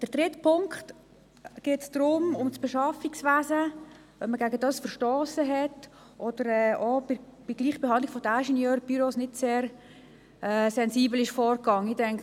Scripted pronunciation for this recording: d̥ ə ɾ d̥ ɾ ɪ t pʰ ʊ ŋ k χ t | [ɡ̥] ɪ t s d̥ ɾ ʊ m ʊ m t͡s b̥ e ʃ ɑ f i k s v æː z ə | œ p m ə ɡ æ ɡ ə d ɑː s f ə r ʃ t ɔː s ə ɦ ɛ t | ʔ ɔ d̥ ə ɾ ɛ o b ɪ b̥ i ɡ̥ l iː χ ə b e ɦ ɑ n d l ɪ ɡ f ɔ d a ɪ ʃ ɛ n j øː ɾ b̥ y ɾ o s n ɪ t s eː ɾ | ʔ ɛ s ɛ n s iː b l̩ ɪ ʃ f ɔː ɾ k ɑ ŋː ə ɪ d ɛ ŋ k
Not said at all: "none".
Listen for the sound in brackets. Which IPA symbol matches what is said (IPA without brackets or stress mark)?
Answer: ɡ̥